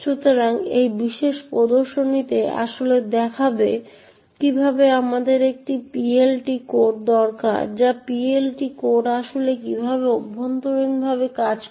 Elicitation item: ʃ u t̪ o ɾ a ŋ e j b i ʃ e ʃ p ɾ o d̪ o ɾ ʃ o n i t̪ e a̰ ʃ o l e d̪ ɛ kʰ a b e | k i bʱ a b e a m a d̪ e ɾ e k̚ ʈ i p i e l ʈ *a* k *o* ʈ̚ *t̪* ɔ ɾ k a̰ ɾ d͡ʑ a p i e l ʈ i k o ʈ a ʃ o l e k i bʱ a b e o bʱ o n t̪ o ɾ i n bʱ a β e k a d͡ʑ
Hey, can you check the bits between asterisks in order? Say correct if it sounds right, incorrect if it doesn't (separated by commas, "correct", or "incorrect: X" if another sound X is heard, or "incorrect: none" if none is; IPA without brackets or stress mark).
incorrect: i, correct, incorrect: d̪